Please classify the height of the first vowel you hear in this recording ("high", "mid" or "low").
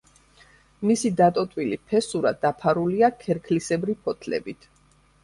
high